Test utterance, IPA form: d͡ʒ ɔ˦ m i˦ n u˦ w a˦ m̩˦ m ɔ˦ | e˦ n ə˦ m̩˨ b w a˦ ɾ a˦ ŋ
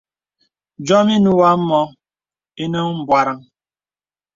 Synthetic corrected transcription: d͡ʒ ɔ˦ m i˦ n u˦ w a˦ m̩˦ m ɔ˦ | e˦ n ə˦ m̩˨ b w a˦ ɾ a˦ ŋ